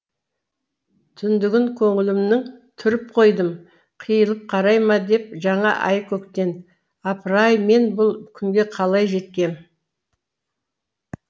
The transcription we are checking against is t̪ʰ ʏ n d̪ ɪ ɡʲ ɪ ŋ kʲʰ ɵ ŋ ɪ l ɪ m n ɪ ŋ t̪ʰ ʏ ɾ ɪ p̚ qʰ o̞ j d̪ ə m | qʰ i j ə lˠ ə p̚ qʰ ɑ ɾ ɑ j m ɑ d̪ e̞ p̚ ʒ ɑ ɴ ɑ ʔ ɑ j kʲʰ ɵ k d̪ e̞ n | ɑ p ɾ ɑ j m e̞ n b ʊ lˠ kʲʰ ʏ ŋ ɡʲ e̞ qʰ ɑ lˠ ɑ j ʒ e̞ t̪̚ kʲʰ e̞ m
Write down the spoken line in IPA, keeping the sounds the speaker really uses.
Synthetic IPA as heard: t̪ʰ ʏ n d̪ ɪ ɡʲ ɪ ŋ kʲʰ ɵ ŋ ɪ l ɪ m n ɪ ŋ t̪ʰ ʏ ɾ ɪ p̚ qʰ o̞ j d̪ ə m | qʰ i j ə lˠ ə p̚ qʰ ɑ ɾ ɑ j m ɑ d̪ e̞ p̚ ʒ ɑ ɴ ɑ ʔ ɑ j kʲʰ ɵ k t̪ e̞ n | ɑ p ɾ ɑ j m e̞ n b ʊ lˠ kʲʰ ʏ ŋ ɡʲ e̞ qʰ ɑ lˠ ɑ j ʒ e̞ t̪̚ kʲ e̞ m